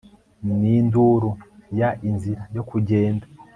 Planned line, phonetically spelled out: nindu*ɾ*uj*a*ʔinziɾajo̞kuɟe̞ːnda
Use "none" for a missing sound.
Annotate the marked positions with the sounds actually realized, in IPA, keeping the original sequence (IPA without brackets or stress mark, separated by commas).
ɾ, a